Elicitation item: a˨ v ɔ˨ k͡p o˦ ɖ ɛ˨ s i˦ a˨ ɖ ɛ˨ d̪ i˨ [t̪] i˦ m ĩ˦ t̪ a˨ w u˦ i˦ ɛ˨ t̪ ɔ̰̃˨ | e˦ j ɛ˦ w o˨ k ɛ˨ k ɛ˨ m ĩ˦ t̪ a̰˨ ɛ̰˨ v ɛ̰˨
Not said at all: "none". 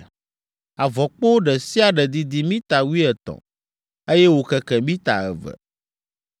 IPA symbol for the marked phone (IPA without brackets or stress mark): d̪